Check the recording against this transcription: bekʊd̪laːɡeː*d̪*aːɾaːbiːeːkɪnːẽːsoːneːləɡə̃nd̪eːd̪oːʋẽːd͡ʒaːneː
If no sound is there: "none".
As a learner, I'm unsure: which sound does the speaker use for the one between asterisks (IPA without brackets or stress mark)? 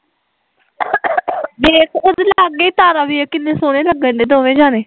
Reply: t̪